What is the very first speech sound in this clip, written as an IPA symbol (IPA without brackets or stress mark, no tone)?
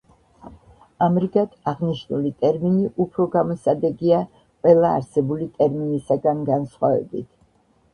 a